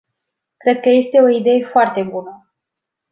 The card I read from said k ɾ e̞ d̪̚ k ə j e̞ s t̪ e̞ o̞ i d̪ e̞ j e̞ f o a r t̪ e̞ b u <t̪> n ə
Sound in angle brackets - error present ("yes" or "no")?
yes